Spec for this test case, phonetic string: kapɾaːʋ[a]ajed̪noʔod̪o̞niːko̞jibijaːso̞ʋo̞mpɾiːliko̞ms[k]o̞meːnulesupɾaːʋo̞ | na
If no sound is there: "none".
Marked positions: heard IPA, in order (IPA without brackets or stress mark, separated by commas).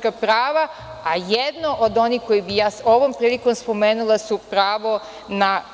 a, p